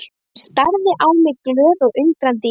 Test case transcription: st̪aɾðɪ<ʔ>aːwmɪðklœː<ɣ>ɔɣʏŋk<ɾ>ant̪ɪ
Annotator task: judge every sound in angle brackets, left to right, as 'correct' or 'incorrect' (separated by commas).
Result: correct, incorrect, correct